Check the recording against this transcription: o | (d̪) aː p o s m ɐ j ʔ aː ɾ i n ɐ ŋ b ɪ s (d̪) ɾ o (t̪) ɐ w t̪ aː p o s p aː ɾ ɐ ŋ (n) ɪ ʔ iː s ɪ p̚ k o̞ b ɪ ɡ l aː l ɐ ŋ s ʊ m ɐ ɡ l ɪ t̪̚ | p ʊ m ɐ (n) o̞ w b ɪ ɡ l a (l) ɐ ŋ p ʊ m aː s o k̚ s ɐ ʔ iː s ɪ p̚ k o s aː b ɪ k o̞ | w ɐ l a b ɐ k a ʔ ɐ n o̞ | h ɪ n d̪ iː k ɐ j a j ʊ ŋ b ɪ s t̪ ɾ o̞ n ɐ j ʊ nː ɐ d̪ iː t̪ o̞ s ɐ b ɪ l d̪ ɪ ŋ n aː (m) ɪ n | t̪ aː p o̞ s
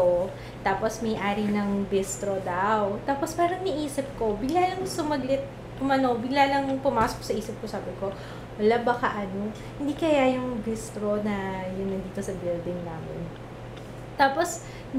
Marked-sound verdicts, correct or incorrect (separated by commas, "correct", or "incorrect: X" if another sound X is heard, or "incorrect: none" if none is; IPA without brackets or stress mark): incorrect: t̪, incorrect: t̪, incorrect: d̪, correct, correct, correct, correct